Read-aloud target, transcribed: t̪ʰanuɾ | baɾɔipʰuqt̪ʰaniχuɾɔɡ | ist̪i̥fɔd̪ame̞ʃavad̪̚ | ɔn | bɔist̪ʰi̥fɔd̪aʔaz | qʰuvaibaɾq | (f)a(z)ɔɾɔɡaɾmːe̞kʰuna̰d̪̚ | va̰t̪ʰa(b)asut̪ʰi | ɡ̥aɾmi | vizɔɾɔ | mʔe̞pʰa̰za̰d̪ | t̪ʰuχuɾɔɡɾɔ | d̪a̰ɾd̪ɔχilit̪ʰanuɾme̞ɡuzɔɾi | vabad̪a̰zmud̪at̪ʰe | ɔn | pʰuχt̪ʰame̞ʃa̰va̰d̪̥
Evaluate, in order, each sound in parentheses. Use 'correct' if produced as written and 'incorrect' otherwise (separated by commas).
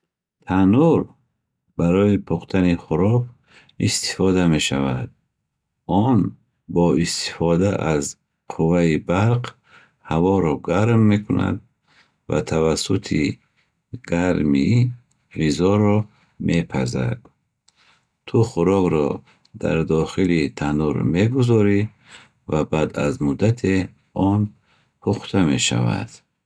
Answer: incorrect, incorrect, incorrect